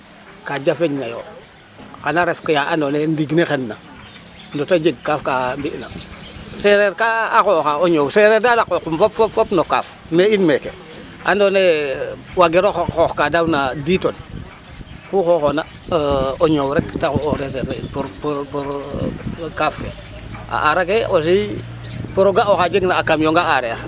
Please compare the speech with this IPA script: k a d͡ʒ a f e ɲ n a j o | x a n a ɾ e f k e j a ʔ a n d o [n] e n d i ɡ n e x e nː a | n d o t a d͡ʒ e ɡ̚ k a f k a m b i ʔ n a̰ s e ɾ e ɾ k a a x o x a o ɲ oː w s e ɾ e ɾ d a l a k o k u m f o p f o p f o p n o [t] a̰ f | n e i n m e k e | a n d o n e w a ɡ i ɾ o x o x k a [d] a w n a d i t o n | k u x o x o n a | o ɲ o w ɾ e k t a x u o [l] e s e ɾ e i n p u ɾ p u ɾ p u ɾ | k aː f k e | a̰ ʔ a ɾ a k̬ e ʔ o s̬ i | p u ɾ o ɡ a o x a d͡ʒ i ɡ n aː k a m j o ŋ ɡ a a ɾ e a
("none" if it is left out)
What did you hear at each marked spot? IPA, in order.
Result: n, k, d, ɾ

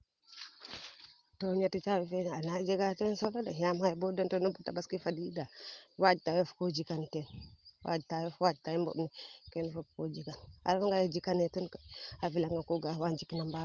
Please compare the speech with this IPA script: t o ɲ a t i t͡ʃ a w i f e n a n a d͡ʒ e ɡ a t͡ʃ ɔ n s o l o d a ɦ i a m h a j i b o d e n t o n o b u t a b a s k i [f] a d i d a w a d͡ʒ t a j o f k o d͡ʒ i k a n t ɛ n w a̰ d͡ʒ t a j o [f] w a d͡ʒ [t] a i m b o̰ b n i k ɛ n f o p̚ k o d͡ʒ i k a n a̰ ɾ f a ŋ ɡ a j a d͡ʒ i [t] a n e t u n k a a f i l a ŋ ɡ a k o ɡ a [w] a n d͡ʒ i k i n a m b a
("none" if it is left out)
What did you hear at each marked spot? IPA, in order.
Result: f, f, t, k, w

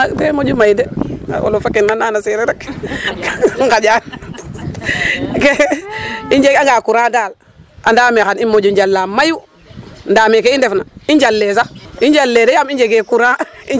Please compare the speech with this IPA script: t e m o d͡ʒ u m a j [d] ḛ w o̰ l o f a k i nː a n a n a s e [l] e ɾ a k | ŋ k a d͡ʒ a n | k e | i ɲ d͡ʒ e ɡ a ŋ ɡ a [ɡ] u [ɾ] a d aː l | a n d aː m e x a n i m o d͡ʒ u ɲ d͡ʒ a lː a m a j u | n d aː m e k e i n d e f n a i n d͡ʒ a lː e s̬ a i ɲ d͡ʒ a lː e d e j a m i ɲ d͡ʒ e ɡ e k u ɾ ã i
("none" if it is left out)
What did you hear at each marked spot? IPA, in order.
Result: d, ɾ, k, ɾ

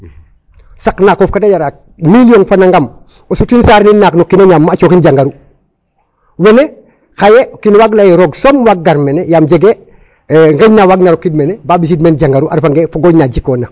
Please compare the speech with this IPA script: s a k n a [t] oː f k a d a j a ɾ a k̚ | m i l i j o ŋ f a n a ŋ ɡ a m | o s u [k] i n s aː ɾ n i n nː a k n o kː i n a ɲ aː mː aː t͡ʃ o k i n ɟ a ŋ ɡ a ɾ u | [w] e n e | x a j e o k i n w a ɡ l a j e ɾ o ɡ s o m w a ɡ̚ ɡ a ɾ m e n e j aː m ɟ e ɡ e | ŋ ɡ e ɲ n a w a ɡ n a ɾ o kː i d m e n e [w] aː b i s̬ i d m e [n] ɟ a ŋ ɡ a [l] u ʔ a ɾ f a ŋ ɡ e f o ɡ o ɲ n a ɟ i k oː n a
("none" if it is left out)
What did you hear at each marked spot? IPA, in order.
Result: k, t, w, b, n, ɾ

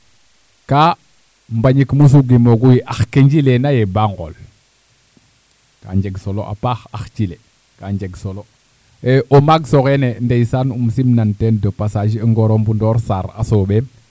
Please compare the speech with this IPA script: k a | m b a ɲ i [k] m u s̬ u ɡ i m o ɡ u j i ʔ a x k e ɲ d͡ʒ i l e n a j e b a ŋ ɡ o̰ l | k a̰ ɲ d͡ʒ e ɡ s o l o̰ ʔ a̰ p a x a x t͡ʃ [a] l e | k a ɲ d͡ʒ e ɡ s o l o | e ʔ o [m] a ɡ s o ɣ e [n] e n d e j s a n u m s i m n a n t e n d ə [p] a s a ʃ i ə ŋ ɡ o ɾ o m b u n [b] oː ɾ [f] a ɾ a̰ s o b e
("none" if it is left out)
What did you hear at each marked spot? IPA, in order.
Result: k, i, m, n, p, d, s

